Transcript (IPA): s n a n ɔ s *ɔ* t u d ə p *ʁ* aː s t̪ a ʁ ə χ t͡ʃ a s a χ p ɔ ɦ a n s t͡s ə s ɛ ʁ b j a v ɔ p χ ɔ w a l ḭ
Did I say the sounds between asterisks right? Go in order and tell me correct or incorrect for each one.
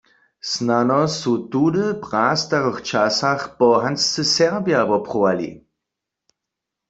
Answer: incorrect, correct

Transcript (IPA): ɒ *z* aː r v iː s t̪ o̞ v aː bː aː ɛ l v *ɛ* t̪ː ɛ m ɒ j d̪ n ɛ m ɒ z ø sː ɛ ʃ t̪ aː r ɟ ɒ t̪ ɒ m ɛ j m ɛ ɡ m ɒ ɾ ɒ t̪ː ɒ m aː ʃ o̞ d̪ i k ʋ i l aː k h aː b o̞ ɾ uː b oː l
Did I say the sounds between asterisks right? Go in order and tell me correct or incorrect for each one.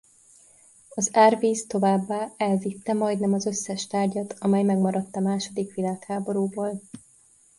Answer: correct, incorrect

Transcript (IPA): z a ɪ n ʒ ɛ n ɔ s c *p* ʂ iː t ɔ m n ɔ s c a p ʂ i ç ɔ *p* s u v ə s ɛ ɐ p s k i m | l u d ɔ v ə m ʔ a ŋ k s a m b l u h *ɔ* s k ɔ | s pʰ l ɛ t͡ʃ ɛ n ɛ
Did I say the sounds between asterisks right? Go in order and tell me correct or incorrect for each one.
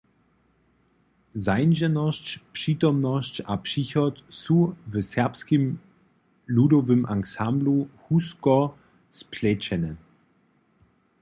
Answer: correct, incorrect, incorrect

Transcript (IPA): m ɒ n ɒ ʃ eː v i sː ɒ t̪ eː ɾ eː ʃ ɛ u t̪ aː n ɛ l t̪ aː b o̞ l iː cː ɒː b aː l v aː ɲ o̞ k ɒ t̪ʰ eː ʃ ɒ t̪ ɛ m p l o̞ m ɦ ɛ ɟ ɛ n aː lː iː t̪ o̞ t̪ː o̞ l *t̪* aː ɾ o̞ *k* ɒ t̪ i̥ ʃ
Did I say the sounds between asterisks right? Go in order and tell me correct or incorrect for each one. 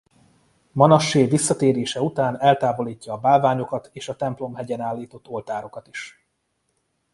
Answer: correct, correct

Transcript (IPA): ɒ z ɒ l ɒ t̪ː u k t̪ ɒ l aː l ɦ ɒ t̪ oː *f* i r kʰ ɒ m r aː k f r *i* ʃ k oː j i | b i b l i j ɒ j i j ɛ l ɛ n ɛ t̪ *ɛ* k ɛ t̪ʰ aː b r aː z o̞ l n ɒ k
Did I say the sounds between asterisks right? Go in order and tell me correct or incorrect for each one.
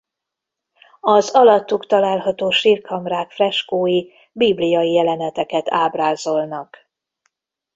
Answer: incorrect, incorrect, correct

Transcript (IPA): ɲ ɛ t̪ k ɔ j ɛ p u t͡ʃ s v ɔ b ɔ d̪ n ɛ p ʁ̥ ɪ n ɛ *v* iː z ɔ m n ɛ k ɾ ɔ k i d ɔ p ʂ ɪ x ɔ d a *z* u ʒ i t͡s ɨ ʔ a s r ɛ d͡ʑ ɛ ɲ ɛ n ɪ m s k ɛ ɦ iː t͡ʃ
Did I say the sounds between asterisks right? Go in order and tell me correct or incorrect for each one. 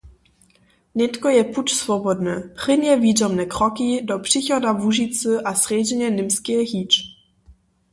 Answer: correct, incorrect

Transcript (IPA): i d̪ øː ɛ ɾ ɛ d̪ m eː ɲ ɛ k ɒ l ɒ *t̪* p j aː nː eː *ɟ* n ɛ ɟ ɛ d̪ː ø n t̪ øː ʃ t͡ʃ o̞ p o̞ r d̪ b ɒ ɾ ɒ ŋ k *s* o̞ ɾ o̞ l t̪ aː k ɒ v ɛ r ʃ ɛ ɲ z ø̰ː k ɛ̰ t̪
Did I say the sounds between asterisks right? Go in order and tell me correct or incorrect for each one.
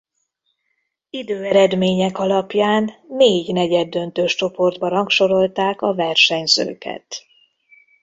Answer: incorrect, correct, incorrect

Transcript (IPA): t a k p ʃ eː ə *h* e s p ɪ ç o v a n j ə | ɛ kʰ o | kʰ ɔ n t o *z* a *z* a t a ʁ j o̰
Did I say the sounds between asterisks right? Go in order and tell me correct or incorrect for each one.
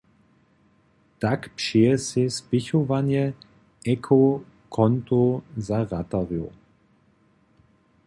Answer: incorrect, correct, incorrect

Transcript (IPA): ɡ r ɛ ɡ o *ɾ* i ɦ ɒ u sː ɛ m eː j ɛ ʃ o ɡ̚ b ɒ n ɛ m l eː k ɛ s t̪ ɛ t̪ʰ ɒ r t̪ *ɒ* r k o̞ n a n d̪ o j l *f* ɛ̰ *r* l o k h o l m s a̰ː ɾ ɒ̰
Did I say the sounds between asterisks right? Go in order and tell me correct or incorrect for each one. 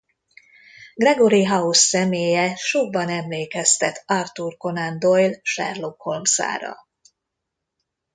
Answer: correct, incorrect, incorrect, correct

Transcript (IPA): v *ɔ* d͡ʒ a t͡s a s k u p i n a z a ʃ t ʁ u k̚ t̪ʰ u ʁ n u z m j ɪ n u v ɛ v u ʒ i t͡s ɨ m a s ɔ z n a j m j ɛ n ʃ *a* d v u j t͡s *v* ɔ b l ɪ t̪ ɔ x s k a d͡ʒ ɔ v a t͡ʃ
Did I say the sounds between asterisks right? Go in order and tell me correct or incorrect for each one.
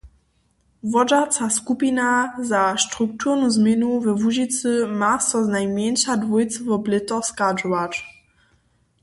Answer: correct, correct, correct

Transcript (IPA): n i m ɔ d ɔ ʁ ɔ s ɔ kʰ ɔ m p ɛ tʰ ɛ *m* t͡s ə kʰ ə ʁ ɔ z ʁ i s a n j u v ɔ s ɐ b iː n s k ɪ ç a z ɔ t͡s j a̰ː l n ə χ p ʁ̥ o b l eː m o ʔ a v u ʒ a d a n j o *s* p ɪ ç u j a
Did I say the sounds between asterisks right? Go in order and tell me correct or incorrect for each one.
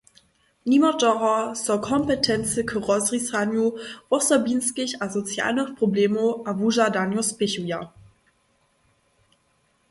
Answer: incorrect, correct

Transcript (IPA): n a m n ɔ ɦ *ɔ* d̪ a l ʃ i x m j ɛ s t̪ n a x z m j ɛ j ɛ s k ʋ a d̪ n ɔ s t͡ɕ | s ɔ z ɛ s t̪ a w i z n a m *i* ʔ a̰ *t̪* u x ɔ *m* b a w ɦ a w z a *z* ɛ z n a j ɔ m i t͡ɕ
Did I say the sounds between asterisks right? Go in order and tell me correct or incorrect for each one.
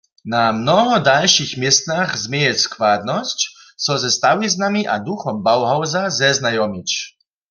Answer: correct, correct, incorrect, correct, correct

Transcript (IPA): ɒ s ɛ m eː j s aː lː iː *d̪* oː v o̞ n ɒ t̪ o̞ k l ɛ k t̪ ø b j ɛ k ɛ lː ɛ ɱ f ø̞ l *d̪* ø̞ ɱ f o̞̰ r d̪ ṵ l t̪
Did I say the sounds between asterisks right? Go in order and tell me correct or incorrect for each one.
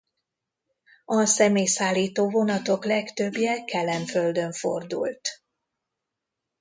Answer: incorrect, correct

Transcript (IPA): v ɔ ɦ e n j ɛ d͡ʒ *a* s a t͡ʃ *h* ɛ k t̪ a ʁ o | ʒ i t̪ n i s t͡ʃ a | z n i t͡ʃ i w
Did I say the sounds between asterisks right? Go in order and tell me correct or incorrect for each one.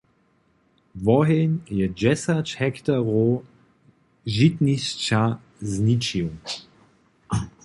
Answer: incorrect, correct

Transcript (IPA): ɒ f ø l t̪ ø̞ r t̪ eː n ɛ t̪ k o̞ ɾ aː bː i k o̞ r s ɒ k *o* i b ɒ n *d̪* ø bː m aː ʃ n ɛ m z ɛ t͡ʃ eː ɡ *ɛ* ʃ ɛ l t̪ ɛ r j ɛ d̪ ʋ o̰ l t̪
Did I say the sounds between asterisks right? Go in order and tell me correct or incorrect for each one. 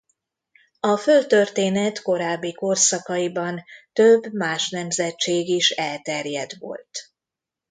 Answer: incorrect, incorrect, incorrect

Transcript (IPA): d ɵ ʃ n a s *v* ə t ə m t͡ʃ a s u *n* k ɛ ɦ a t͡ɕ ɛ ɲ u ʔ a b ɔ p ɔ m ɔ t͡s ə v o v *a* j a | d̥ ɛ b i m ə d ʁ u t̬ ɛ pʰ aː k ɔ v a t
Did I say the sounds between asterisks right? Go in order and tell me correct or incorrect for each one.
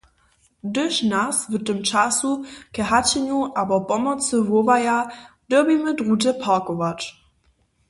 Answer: correct, incorrect, correct

